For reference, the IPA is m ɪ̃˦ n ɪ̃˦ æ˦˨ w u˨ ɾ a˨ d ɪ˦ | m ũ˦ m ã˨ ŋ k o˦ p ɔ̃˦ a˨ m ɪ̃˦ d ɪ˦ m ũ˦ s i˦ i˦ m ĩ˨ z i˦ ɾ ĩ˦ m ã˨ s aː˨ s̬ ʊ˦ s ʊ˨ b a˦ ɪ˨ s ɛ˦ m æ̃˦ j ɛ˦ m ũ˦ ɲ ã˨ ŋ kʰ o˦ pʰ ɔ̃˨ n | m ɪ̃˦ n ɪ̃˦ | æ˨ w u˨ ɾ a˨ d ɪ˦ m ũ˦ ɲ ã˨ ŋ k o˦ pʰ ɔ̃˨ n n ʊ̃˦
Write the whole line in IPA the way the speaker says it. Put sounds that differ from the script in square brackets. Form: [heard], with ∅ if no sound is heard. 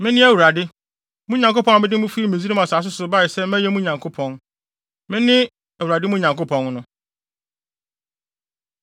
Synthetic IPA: m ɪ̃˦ n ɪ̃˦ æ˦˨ w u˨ ɾ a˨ d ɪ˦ | m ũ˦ [ɲ] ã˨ ŋ k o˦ p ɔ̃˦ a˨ m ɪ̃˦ d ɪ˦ m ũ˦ [f] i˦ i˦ m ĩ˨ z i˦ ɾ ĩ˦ m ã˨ s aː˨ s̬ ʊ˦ s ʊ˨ b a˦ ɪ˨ s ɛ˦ m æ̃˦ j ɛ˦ m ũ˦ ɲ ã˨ ŋ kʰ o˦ pʰ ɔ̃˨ n | m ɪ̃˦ n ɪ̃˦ | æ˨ w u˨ ɾ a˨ d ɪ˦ m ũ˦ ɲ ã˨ ŋ k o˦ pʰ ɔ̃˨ n n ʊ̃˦